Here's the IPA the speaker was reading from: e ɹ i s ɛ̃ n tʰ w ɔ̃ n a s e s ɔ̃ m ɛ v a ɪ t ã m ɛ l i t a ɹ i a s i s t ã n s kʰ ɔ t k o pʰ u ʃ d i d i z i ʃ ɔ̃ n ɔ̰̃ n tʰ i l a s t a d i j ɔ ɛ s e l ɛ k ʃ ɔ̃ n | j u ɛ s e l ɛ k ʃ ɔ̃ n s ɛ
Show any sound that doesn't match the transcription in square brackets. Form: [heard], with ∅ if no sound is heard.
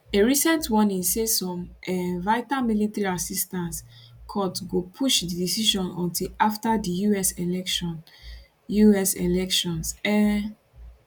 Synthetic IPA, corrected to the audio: e ɹ i s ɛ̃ n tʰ w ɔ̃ n [i] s e s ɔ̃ m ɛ v a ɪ t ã m [i] l i t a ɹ i a s i s t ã n s kʰ ɔ t [ɡ] o pʰ u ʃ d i d i [s] i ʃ ɔ̃ n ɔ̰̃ n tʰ i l a [f] t a d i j [u] ɛ s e l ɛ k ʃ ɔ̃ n | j u ɛ s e l ɛ k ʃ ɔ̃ n s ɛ